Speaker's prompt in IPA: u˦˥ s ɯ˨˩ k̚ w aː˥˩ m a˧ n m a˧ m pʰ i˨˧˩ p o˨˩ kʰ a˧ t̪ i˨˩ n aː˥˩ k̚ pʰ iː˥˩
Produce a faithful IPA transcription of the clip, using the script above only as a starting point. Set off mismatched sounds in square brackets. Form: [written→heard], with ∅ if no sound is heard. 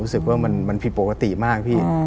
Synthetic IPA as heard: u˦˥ s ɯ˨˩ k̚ w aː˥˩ m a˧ n m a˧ [m→n] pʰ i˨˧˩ p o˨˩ [kʰ→k] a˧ t̪ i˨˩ [n→m] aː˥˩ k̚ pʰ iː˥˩